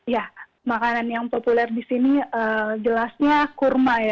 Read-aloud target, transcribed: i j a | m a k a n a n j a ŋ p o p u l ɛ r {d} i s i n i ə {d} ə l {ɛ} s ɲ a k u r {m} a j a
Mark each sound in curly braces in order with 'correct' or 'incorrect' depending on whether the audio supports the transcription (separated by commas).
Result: correct, incorrect, incorrect, correct